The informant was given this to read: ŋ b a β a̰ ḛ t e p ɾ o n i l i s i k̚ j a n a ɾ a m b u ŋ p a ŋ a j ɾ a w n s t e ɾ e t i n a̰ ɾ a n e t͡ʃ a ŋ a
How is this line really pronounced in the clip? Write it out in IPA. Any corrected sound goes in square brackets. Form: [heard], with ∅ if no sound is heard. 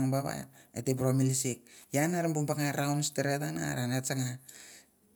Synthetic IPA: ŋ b a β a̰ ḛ t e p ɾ o [m] i l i s i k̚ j a n a ɾ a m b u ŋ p a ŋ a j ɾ a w n s t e ɾ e t [a] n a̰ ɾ a n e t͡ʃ a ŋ a

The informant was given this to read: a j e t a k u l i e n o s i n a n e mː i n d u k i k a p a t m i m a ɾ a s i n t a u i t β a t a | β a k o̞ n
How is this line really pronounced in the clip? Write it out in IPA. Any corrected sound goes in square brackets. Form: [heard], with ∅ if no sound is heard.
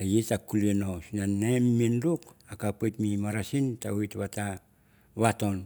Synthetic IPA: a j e t a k u l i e n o s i n a n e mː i n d u k [a] k a p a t m i m a ɾ a s i n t a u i t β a t a | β a [t] o̞ n

